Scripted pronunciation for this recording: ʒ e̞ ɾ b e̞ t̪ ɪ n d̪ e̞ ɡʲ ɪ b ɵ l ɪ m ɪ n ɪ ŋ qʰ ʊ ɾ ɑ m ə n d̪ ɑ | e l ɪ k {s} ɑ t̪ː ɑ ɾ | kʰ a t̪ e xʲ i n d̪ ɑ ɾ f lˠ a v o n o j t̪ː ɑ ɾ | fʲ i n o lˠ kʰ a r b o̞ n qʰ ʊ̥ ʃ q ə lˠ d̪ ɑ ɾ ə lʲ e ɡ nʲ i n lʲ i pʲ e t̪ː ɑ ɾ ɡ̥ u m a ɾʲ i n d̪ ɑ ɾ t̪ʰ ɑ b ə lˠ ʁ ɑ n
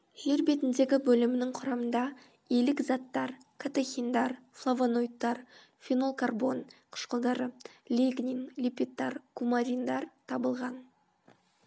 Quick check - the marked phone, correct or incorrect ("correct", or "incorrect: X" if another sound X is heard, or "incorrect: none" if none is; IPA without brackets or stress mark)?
incorrect: z